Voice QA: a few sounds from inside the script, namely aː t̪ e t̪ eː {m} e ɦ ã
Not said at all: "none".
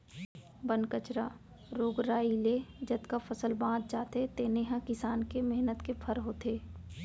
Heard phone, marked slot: n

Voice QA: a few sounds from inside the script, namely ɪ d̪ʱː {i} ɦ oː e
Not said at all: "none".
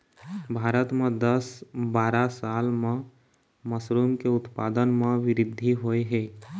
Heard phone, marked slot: i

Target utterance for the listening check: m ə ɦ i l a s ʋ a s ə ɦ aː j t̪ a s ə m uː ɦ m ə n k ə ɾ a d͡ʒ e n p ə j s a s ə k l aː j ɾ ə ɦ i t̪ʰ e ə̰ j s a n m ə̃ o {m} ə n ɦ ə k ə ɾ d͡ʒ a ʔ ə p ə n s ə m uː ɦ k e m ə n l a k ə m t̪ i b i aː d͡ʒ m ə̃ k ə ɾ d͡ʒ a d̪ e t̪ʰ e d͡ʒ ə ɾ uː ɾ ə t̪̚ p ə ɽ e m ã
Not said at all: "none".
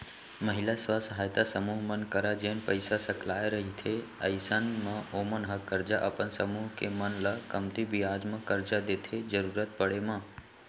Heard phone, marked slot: m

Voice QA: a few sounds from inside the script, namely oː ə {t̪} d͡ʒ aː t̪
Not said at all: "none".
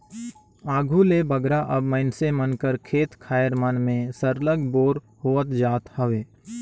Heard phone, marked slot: t̪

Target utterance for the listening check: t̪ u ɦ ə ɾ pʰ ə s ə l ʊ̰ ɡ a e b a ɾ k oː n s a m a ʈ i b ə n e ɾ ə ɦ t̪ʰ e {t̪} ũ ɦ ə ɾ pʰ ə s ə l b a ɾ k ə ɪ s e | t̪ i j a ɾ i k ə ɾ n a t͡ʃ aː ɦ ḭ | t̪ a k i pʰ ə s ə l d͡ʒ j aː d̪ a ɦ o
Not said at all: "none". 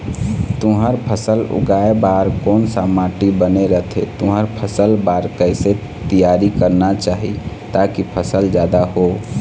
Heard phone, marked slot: t̪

